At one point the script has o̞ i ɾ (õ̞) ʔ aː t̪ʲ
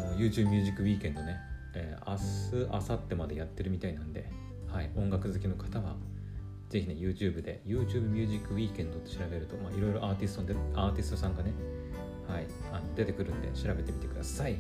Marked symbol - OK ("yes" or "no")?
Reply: no